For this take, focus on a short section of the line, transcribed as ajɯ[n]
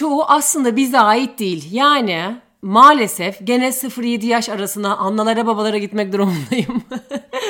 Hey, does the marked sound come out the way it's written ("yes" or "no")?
no